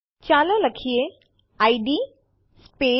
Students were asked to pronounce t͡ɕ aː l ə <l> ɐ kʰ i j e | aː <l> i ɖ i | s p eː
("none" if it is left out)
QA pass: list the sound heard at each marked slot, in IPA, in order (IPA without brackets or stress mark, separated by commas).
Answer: l, none